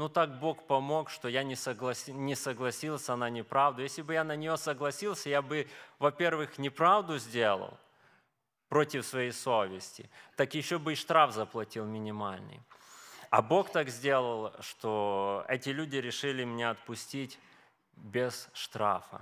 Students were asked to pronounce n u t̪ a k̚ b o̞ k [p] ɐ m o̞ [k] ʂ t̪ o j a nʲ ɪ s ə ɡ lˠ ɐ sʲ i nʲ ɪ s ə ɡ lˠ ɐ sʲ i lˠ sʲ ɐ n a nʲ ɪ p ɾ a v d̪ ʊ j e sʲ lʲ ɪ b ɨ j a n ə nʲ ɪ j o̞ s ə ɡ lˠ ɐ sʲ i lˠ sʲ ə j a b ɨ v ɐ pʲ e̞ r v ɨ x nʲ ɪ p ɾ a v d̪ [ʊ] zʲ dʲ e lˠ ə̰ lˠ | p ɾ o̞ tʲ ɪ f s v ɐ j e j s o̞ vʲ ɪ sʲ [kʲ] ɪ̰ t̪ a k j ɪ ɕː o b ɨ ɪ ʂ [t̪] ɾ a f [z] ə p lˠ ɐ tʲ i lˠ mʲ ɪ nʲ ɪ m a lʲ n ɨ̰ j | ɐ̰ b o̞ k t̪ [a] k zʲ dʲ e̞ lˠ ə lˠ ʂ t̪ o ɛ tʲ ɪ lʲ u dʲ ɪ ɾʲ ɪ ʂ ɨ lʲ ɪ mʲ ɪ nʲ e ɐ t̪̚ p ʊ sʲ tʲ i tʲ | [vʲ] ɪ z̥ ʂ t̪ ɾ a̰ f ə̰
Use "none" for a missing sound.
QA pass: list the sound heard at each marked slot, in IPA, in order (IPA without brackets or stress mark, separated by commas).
p, k, ʊ, tʲ, t̪, z, a, bʲ